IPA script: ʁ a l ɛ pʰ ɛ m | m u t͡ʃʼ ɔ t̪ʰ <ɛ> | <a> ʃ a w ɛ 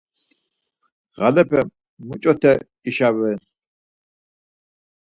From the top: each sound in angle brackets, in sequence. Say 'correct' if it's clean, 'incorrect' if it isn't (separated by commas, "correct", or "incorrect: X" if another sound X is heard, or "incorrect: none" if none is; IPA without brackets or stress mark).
correct, incorrect: i